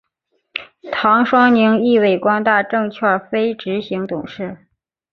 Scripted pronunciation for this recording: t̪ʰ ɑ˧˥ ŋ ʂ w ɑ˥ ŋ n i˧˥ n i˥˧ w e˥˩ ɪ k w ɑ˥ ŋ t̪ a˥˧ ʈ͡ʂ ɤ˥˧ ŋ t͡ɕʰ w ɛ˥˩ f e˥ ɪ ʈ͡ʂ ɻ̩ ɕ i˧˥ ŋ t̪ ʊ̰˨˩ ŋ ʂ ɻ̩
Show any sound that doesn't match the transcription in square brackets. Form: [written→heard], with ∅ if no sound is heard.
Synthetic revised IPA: t̪ʰ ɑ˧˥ ŋ ʂ w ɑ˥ ŋ n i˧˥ [n→ŋ] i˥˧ w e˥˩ ɪ k w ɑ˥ ŋ t̪ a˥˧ ʈ͡ʂ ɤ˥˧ ŋ t͡ɕʰ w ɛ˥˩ f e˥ ɪ ʈ͡ʂ ɻ̩ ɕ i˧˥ ŋ t̪ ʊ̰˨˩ ŋ ʂ ɻ̩